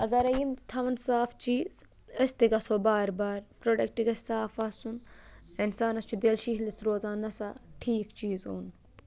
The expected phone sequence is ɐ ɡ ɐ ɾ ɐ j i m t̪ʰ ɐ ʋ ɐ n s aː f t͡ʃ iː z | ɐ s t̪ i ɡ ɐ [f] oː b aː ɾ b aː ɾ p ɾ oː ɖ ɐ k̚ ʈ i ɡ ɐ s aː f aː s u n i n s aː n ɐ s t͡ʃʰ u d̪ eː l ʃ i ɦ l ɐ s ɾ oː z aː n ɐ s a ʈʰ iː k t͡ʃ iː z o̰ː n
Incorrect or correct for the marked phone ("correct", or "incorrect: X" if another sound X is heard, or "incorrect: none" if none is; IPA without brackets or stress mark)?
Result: incorrect: s